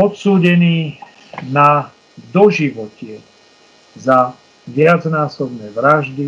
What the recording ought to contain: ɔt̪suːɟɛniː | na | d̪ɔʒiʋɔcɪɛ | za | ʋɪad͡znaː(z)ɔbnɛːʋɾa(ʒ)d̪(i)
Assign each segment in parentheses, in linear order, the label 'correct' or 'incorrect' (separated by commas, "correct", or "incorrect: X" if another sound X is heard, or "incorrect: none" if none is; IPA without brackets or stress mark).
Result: incorrect: s, correct, correct